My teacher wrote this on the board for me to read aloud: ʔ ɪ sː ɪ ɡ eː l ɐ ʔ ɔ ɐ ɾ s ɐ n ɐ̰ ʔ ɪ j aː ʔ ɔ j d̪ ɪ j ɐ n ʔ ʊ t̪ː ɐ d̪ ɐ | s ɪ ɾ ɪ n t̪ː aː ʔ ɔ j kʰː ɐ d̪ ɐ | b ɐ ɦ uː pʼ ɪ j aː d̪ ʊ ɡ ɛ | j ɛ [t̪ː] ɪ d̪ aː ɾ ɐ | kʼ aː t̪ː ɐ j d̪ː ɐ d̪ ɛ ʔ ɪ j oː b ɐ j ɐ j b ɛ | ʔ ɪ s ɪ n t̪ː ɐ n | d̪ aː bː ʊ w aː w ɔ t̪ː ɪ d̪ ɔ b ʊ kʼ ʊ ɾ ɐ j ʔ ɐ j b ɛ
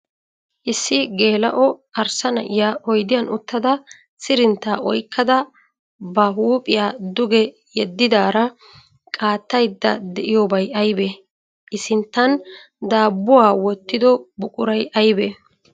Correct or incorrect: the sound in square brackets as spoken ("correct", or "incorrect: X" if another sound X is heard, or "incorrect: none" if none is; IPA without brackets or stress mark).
incorrect: d̪ː